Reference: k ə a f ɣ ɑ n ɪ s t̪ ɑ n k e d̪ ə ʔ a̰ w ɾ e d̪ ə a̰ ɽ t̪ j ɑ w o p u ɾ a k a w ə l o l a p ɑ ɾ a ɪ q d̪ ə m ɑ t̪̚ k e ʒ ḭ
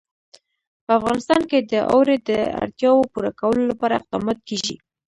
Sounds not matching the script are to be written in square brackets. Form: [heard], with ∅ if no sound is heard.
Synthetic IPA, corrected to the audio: [p] ə a f ɣ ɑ n ɪ s t̪ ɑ n k e d̪ ə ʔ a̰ w ɾ e d̪ ə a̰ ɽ t̪ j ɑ w o p u ɾ a k a w ə l o l a p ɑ ɾ a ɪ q d̪ [ɑ] m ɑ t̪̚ k e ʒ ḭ